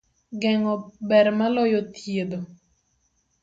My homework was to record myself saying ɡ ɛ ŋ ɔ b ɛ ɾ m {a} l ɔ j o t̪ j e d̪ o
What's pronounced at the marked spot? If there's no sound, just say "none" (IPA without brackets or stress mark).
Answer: a